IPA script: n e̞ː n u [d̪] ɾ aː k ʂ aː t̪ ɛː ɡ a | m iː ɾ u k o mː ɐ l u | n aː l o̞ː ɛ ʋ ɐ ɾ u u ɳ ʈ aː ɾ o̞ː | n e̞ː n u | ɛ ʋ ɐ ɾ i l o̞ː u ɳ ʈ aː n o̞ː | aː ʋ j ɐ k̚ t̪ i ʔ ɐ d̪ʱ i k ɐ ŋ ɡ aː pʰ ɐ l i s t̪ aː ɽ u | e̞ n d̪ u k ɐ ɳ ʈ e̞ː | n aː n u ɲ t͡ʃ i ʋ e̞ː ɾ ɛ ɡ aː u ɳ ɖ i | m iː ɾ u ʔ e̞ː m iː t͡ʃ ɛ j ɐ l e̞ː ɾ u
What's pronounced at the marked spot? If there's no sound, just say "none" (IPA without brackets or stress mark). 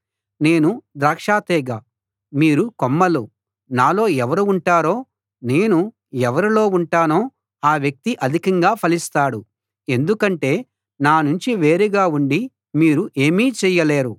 d̪